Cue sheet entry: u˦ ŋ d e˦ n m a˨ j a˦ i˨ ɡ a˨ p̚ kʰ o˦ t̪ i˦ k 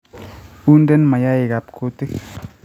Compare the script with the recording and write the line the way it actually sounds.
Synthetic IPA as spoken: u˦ n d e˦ n m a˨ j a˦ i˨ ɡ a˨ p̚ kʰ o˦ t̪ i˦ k